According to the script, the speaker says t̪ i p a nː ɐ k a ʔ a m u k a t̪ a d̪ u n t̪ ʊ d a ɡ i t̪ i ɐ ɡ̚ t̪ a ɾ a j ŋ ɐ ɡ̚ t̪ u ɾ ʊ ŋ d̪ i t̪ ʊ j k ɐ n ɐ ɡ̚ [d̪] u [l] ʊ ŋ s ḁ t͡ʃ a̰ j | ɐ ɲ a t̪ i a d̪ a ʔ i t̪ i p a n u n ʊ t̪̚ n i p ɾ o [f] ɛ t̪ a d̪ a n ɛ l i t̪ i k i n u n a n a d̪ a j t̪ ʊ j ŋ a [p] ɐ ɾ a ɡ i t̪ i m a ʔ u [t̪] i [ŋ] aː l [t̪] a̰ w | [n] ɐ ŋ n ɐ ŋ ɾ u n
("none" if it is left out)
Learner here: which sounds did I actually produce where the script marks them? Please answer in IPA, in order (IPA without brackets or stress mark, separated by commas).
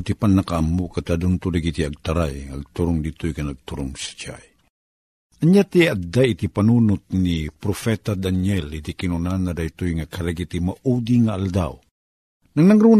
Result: t̪, ɾ, f, k, d̪, ŋ, d̪, n